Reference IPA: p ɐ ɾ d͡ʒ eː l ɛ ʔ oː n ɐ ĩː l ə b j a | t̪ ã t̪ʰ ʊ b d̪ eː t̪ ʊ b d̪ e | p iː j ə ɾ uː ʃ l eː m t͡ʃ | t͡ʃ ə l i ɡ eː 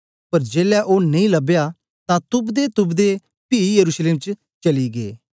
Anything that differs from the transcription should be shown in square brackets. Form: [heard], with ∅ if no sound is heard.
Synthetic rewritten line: p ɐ ɾ d͡ʒ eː l ɛ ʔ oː n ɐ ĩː l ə b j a | t̪ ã [t̪] ʊ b d̪ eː t̪ ʊ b d̪ e | p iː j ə ɾ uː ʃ l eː m t͡ʃ | t͡ʃ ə l i ɡ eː